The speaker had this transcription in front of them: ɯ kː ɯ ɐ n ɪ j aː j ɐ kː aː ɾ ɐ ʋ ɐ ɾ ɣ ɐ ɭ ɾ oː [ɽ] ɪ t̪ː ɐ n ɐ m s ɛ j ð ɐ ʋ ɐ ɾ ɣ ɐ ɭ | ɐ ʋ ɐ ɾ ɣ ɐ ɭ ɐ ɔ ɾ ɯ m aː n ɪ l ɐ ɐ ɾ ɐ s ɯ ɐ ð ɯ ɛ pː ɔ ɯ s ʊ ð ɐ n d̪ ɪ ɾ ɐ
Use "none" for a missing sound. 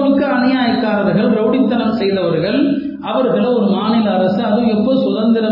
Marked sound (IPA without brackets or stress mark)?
ɽ